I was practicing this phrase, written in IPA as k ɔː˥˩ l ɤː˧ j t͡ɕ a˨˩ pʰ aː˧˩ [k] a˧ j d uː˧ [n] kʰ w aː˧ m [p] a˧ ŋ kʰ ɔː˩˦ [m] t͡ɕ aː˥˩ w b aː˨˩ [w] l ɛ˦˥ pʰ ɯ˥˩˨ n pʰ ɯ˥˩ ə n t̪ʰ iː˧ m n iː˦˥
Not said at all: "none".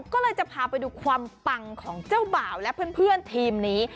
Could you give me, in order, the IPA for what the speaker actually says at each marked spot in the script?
p, none, p, ŋ, w

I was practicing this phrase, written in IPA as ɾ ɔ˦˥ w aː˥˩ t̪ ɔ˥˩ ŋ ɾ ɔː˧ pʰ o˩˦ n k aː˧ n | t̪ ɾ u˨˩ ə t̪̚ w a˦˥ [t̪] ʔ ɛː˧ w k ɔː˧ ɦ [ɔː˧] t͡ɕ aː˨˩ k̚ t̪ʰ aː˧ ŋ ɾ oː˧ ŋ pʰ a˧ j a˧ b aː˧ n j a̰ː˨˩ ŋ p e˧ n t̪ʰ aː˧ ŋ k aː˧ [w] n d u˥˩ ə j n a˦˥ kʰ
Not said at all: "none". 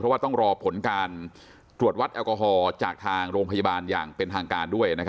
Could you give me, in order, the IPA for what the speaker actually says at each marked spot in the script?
t̪, ɔː˧, none

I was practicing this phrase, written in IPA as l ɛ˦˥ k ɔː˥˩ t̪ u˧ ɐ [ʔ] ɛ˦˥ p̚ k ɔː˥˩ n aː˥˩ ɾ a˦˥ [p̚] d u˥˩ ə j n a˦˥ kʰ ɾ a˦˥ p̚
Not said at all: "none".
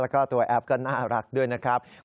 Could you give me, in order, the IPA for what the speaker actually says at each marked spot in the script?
ʔ, k̚

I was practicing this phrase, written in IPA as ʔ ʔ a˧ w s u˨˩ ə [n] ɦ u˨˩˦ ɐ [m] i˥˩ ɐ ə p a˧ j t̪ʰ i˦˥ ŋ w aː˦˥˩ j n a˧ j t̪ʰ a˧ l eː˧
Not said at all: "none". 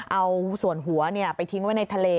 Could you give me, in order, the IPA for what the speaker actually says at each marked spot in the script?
n, n

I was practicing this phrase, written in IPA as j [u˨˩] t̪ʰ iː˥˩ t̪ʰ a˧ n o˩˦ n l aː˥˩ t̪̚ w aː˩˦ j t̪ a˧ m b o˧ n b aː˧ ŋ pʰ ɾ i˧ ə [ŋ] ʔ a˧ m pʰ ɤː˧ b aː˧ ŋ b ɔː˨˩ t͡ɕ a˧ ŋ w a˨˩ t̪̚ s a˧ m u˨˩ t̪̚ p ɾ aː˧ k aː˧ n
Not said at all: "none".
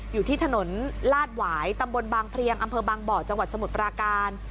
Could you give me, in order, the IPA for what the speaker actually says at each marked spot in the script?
uː˨˩, ŋ

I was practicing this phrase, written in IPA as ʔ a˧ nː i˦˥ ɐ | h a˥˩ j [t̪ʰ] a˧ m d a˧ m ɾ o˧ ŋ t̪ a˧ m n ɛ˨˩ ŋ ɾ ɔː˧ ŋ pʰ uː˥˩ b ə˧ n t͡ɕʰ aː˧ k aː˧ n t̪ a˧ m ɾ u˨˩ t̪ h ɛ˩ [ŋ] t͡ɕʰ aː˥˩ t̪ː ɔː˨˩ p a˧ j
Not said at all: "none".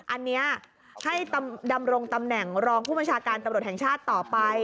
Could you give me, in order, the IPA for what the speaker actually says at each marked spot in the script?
t̪, ŋ

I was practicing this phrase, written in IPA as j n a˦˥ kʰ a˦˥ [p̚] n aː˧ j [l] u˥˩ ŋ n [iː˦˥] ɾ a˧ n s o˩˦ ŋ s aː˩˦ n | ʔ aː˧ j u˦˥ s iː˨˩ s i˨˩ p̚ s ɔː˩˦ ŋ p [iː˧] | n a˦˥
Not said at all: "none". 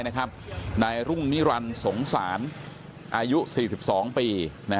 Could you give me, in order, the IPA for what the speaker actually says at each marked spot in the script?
p̚, ɾ, i˦˥, iː˧

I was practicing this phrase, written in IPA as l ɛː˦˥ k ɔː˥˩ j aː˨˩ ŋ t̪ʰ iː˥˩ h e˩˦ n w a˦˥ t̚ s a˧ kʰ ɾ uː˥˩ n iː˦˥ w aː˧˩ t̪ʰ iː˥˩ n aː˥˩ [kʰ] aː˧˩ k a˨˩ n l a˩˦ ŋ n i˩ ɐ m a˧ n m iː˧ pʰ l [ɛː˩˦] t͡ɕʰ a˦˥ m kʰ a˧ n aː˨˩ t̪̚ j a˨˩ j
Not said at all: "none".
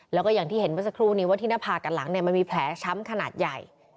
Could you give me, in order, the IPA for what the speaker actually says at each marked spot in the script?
pʰ, ɛː˩˦

